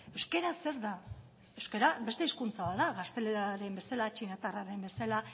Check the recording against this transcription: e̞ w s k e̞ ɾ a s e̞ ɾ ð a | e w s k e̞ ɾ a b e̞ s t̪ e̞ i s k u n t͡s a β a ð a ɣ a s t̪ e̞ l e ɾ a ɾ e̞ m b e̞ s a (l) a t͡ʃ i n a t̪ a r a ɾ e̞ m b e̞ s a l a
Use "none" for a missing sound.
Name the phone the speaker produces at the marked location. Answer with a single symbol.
l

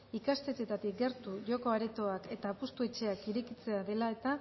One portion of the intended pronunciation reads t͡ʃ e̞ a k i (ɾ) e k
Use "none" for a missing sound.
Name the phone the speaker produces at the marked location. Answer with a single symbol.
ɾ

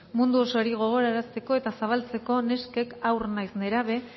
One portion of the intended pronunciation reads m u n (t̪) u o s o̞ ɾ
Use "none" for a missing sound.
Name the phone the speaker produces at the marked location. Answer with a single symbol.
d̪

